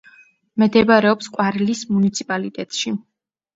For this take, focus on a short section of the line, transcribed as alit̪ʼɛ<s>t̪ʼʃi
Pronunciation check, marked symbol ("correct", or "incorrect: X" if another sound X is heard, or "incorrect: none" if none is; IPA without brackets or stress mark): incorrect: none